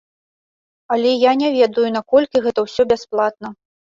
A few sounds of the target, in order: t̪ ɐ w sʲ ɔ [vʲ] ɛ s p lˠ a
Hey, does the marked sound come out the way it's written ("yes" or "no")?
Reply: no